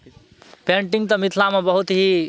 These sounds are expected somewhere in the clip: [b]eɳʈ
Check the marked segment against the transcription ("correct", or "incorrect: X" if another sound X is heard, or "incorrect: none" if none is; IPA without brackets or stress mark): incorrect: p